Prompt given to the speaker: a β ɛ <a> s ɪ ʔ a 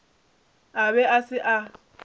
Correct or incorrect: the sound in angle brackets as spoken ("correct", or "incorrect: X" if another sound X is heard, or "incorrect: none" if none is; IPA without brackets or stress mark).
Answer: correct